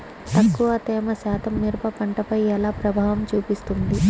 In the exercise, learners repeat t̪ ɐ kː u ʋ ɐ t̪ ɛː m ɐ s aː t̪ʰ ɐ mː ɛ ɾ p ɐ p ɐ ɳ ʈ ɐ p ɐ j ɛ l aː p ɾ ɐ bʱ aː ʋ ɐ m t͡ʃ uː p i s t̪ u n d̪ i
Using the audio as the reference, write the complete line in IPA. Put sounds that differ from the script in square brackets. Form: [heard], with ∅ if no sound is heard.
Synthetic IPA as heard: t̪ ɐ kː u ʋ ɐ t̪ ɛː m ɐ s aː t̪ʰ ɐ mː [i] ɾ p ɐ p ɐ ɳ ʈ ɐ p ɐ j ɛ l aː p ɾ ɐ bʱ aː ʋ ɐ m t͡ʃ uː p i s t̪ u n d̪ i